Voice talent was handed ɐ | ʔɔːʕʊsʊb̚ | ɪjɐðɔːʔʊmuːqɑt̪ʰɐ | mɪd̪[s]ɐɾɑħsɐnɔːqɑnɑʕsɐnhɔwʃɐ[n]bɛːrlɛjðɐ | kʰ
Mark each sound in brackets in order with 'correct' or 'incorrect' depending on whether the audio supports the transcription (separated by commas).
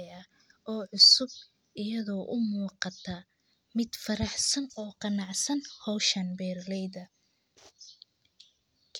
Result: incorrect, correct